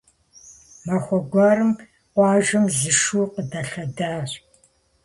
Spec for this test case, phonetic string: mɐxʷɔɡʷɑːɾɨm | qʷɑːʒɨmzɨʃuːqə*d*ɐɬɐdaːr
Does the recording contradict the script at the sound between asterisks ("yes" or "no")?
no